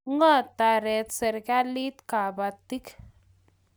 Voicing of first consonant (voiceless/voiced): voiced